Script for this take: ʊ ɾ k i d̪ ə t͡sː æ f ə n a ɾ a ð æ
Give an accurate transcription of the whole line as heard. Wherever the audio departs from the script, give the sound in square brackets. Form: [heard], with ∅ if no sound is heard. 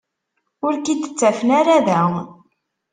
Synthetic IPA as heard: ʊ ɾ k i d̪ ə t͡sː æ f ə n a ɾ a ð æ